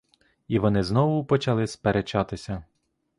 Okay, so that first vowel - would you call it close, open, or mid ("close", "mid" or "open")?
close